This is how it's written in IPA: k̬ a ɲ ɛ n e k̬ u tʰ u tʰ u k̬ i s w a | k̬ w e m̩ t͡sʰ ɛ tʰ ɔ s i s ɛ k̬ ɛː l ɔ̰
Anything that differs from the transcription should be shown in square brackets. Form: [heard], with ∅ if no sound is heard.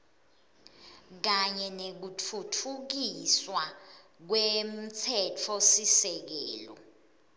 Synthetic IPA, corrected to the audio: k̬ a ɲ ɛ n e k̬ u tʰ u tʰ u k̬ i s w a | k̬ w e m̩ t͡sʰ ɛ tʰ ɔ s i s ɛ k̬ ɛː l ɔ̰